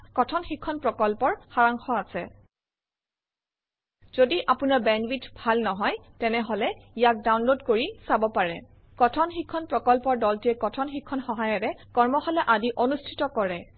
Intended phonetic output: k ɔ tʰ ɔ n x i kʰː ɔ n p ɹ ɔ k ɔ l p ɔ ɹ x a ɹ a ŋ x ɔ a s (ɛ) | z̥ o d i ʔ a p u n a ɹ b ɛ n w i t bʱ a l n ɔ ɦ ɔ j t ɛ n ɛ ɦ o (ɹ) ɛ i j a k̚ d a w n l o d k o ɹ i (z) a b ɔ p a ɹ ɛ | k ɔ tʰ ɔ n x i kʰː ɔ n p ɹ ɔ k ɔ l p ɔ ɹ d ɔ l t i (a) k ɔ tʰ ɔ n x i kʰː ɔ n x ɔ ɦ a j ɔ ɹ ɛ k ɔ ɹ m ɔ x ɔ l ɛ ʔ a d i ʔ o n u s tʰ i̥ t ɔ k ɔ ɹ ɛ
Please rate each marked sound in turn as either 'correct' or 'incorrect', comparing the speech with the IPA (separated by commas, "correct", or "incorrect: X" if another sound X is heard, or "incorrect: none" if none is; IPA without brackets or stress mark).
correct, incorrect: l, incorrect: s, incorrect: ɛ